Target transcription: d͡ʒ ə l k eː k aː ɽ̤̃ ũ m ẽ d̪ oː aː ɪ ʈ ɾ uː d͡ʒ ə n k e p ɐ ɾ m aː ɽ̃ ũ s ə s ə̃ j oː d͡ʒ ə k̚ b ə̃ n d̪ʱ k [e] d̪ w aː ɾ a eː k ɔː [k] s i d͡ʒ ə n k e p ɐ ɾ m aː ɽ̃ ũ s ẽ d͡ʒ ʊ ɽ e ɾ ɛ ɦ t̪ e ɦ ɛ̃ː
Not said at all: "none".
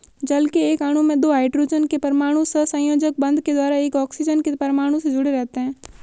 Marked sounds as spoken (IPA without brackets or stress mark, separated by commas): e, k